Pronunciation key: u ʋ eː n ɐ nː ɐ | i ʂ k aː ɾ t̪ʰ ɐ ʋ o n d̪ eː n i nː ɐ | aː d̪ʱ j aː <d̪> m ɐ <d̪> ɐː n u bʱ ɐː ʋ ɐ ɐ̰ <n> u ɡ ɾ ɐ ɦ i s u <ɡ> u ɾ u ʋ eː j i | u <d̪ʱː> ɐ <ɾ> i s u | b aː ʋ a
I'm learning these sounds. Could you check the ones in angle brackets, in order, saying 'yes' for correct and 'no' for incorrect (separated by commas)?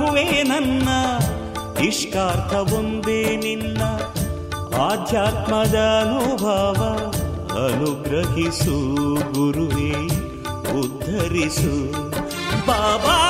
no, yes, yes, yes, yes, yes